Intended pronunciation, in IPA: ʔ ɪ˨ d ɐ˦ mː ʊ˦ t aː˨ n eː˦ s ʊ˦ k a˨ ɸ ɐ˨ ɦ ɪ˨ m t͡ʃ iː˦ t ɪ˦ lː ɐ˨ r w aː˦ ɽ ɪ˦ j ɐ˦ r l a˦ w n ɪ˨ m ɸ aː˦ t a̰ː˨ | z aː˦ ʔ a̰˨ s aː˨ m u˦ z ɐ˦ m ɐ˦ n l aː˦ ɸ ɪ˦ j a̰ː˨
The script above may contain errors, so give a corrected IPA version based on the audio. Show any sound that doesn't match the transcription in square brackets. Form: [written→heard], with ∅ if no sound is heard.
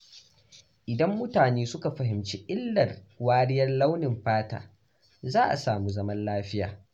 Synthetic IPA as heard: ʔ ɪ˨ d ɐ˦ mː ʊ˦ t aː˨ n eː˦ s ʊ˦ k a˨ ɸ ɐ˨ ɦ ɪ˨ m t͡ʃ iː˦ [t→ʔ] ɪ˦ lː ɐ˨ r w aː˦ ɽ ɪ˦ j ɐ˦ r l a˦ w n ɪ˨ m ɸ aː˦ t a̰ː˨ | z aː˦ ʔ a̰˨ s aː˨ m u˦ z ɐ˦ m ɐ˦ n l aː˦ ɸ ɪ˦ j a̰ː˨